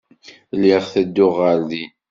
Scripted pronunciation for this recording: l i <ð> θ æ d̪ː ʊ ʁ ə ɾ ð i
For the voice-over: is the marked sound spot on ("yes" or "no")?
no